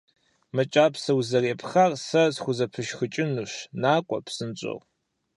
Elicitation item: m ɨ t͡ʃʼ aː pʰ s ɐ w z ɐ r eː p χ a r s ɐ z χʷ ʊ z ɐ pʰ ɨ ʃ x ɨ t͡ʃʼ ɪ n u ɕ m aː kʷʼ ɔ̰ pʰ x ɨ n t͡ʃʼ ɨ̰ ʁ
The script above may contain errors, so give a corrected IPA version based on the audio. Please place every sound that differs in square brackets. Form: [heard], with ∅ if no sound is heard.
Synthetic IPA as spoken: m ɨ t͡ʃʼ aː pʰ s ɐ w z ɐ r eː p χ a r s ɐ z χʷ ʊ z ɐ pʰ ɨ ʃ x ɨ t͡ʃʼ ɪ n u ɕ [n] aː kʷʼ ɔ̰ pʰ [s] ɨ n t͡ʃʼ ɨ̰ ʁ